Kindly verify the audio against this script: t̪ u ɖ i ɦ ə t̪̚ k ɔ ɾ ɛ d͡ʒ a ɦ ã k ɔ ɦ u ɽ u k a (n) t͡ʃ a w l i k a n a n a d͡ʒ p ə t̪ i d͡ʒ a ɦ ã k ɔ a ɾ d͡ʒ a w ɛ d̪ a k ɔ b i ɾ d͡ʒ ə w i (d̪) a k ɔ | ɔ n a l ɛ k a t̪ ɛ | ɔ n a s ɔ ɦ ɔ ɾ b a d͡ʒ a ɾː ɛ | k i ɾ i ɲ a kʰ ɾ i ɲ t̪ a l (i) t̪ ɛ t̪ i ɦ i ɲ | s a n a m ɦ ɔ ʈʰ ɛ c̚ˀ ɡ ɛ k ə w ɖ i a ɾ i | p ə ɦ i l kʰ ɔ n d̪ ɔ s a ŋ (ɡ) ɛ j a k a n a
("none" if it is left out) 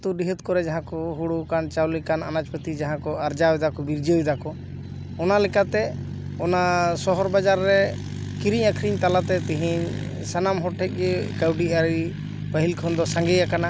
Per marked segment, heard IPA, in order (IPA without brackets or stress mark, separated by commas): n, d̪, a, ɡ